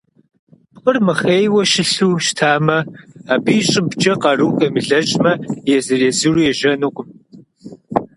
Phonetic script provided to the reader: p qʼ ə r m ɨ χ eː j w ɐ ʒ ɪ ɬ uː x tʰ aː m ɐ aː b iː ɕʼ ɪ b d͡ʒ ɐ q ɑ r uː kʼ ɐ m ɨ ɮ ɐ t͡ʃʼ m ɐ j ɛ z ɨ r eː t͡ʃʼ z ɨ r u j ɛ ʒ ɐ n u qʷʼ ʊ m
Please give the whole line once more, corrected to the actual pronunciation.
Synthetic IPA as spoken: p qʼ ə r m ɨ χ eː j w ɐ ʃ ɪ ɬ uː ʃ tʰ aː m ɐ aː b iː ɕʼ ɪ b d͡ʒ ɐ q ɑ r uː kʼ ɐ m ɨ ɮ ɐ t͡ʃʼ m ɐ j ɛ z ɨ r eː z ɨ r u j ɛ ʒ ɐ n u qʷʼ ʊ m